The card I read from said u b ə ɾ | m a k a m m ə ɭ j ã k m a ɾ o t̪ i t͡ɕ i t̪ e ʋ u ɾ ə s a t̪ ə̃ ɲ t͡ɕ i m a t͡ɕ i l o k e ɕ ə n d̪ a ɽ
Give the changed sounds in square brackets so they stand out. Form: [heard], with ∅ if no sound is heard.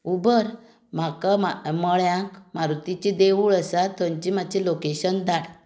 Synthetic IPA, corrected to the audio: u b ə ɾ | m a k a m m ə ɭ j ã k m a ɾ [u] t̪ i t͡ɕ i [d̪] e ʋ u [ɭ] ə s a t̪ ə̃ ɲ t͡ɕ i m a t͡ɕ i l o k e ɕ ə n d̪ a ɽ